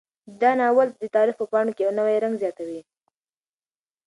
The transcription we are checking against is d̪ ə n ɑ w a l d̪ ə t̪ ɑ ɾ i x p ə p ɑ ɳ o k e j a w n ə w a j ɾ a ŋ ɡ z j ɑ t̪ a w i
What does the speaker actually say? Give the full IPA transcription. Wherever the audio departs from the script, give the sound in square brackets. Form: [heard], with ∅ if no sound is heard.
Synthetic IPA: d̪ [ɑ] n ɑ w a l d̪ ə t̪ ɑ ɾ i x p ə p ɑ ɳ o k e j a w n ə w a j ɾ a ŋ ɡ z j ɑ t̪ a w i